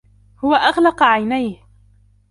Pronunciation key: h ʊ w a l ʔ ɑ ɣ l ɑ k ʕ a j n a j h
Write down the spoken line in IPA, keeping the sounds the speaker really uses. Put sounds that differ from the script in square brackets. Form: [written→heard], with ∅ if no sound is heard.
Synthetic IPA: h ʊ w a [l→∅] ʔ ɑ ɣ l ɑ [k→q] ʕ a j n a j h